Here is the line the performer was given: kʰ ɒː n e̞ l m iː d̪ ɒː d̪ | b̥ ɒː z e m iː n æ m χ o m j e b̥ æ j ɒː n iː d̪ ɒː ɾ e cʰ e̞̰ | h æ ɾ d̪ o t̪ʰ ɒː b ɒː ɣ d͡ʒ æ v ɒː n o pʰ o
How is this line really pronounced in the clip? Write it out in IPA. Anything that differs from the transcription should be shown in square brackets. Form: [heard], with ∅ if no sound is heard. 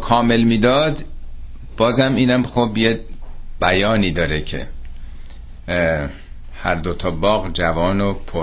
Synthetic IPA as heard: kʰ ɒː [m] e̞ l m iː d̪ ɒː d̪ | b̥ ɒː z [æ] m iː n æ m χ o [b] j e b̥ æ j ɒː n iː d̪ ɒː ɾ e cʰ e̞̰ | h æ ɾ d̪ o t̪ʰ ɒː b ɒː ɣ d͡ʒ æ v ɒː n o pʰ o